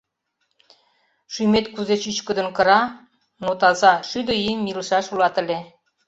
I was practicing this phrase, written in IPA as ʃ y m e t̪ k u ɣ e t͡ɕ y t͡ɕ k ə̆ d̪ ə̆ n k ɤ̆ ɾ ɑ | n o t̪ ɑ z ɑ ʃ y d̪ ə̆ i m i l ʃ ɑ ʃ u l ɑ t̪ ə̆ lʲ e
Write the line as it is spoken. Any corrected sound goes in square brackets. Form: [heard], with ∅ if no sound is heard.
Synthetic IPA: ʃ y m e t̪ k u [z] e t͡ɕ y t͡ɕ k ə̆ d̪ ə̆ n k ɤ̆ ɾ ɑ | n o t̪ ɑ z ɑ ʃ y d̪ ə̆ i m i l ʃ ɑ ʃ u l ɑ t̪ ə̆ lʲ e